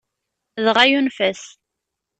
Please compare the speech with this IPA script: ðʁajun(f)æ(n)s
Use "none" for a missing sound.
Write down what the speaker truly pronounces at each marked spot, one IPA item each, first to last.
f, none

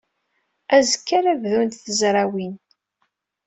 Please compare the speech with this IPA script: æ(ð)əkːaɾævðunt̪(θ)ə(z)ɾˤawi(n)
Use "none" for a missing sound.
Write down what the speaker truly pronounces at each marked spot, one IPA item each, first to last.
z, θ, z, n

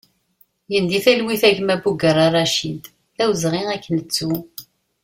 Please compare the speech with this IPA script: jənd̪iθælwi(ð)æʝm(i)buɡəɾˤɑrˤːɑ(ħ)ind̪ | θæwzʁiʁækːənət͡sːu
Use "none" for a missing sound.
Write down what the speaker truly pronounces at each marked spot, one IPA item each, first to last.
θ, æ, ʃ

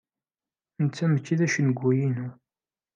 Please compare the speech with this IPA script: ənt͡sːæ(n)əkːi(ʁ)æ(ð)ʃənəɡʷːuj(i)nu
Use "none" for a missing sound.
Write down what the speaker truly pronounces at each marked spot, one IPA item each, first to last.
m, ð, none, i

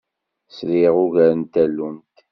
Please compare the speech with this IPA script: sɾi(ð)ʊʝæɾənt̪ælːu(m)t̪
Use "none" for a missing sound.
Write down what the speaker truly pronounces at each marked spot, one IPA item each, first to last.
ʁ, n

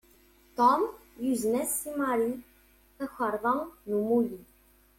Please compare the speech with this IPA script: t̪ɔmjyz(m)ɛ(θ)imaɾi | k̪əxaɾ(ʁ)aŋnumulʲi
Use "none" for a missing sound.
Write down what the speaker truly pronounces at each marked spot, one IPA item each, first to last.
n, s, v

